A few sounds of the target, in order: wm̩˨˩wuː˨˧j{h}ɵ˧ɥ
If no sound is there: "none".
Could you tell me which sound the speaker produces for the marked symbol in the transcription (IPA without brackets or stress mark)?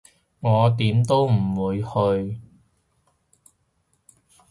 h